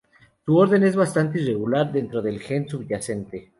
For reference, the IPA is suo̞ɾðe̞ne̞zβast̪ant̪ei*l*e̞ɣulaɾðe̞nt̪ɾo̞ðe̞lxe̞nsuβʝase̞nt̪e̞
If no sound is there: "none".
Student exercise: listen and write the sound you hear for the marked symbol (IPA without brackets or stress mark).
r